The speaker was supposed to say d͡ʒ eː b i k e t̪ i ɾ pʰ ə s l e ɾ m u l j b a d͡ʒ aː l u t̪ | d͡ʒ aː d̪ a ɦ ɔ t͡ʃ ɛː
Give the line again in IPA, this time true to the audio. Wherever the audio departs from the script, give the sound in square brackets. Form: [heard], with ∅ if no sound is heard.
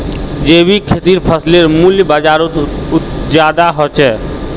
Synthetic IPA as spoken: d͡ʒ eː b i [kʰ] e t̪ i ɾ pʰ ə s l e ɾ m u l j b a d͡ʒ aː [ɾ] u t̪ | d͡ʒ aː d̪ a ɦ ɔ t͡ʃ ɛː